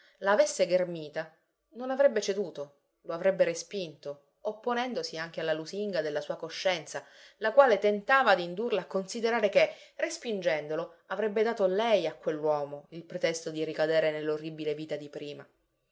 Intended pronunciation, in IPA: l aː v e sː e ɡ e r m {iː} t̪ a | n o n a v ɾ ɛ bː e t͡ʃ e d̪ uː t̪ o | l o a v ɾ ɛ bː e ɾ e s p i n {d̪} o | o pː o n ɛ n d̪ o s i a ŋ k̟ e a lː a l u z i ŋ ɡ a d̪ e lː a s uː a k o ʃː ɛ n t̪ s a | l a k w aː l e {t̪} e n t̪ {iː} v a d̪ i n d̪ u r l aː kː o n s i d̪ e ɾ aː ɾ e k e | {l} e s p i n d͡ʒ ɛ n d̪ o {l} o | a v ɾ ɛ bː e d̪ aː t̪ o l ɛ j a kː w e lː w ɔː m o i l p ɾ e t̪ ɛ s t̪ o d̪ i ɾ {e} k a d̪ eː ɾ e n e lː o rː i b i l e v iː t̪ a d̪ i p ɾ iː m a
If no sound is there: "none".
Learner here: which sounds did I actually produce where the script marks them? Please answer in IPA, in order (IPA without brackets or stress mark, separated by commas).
iː, t̪, t̪, aː, r, l, i